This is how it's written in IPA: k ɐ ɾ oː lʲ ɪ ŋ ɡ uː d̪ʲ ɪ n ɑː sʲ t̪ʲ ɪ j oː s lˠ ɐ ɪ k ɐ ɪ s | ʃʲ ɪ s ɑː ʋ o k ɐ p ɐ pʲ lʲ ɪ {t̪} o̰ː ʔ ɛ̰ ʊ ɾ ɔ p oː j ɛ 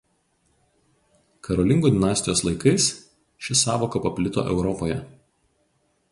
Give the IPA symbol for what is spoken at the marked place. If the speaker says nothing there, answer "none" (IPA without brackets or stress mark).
t̪